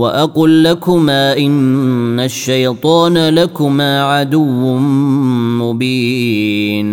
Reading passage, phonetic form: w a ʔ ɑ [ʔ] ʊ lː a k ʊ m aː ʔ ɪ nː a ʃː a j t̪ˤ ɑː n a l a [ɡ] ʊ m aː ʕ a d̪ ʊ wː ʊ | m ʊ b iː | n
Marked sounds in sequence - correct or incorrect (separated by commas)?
incorrect, incorrect